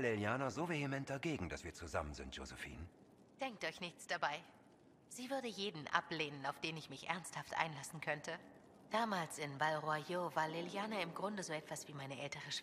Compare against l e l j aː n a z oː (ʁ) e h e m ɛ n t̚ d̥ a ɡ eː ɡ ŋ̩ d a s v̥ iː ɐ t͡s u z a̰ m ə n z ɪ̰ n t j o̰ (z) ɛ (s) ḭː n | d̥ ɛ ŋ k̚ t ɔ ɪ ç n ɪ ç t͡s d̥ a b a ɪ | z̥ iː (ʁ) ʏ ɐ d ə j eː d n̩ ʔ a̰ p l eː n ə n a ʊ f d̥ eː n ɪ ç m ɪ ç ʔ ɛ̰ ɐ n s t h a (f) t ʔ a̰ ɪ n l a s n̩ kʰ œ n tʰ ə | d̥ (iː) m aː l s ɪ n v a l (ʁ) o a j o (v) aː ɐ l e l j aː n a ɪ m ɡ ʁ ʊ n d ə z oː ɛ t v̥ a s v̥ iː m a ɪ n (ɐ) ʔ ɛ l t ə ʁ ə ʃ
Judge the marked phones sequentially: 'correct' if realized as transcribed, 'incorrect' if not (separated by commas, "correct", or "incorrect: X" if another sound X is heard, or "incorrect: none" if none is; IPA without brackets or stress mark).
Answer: incorrect: v, correct, incorrect: f, incorrect: v, correct, incorrect: aː, correct, correct, incorrect: ə